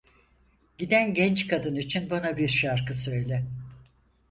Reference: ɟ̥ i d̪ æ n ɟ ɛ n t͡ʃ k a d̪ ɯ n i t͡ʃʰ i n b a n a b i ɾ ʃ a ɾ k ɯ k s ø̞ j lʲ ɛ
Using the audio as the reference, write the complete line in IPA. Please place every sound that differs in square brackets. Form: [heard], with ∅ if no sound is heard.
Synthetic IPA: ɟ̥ i d̪ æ n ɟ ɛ n t͡ʃ k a d̪ ɯ n i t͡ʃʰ i n b a n a b i ɾ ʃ a ɾ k ɯ [∅] s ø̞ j lʲ ɛ